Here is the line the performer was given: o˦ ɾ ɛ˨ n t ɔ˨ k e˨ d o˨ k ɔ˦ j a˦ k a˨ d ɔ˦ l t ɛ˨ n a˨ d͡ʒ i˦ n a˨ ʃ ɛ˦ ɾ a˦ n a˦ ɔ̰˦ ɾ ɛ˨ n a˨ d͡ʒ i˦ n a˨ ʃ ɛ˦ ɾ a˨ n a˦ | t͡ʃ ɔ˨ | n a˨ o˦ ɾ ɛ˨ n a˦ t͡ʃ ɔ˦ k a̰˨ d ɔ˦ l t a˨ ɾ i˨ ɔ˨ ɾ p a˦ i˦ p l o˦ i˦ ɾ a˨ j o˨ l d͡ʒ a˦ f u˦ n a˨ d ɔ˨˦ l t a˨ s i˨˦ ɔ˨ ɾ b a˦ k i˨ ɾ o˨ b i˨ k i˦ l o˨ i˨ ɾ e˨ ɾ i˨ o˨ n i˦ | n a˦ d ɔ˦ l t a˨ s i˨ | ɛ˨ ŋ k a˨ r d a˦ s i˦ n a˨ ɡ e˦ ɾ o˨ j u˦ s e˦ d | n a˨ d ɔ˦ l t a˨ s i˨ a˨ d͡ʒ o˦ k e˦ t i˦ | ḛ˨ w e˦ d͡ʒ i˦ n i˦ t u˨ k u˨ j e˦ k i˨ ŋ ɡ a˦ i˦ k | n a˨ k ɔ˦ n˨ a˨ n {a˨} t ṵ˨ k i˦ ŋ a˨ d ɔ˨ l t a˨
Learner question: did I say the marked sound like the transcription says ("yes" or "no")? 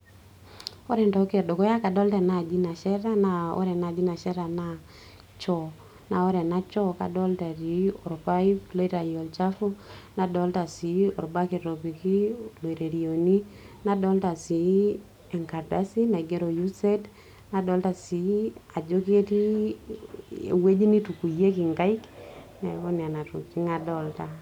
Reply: yes